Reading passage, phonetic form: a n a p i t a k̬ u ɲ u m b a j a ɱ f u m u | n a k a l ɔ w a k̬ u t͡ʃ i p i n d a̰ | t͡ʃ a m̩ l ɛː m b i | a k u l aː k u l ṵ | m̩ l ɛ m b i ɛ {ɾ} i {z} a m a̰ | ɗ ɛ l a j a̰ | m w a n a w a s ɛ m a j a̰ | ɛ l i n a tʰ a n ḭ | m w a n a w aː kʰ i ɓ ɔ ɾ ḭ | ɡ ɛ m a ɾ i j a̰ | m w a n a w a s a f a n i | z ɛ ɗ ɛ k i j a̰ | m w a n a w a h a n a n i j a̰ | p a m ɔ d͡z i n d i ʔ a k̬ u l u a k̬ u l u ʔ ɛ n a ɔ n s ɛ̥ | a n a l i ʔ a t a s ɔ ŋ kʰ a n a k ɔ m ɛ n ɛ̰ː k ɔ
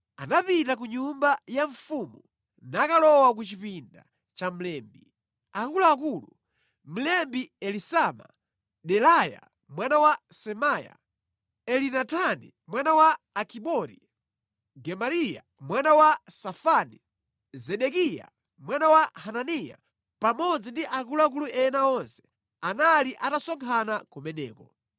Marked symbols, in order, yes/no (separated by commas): no, no